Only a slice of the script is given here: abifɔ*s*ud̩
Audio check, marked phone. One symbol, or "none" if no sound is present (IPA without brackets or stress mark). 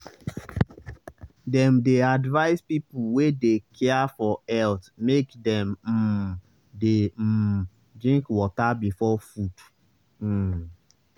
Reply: f